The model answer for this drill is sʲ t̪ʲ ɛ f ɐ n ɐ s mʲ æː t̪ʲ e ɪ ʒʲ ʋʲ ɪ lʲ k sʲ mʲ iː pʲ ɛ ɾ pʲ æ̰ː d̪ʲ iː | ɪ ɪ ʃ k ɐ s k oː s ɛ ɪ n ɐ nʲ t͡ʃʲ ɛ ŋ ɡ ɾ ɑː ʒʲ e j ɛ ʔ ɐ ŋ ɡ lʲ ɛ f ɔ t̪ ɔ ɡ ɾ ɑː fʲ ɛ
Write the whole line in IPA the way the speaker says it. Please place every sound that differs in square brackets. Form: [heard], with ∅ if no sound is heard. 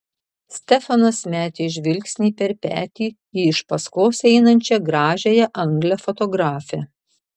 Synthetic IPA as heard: sʲ t̪ʲ ɛ f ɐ n ɐ s mʲ æː t̪ʲ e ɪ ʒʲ ʋʲ ɪ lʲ k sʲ [nʲ] iː pʲ ɛ ɾ pʲ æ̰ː [t̪ʲ] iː | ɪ ɪ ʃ [p] ɐ s k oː s ɛ ɪ n ɐ nʲ t͡ʃʲ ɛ [∅] ɡ ɾ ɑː ʒʲ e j ɛ ʔ ɐ ŋ ɡ lʲ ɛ f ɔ t̪ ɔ ɡ ɾ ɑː fʲ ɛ